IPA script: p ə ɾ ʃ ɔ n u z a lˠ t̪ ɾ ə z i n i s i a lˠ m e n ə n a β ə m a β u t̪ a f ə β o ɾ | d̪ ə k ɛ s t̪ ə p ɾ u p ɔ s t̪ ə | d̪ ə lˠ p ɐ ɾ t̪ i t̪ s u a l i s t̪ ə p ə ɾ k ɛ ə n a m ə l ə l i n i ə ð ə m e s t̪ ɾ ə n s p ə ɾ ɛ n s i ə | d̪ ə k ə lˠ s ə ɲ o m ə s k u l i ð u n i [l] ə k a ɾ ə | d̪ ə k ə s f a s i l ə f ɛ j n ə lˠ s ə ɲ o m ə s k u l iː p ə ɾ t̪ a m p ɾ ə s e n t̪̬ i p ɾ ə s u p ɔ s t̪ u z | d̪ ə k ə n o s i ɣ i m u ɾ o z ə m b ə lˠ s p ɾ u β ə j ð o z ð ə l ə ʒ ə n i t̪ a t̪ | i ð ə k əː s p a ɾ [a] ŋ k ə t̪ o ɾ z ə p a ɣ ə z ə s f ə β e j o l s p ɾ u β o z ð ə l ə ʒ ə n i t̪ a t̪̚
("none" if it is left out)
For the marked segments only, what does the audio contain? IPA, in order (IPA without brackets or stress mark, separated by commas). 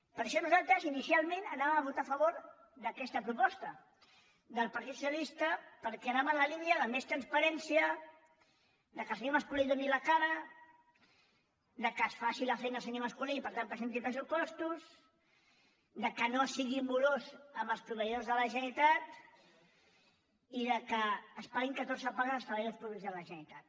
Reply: l, i